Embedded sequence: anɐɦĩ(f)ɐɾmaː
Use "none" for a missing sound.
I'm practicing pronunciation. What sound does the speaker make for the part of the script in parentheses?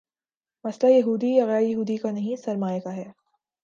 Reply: s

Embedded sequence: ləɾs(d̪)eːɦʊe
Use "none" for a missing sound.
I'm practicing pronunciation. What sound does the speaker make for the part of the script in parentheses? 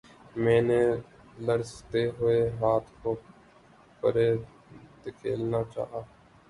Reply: t̪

